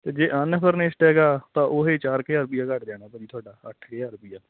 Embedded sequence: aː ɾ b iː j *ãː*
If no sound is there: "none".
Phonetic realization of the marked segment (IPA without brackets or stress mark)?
aː